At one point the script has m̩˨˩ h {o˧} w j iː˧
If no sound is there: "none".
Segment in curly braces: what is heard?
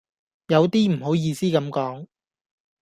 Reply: o˨˥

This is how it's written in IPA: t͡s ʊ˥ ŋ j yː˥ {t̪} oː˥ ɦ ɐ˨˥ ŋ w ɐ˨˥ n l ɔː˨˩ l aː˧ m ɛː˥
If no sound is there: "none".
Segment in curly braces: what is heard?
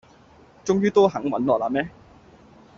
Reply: t̪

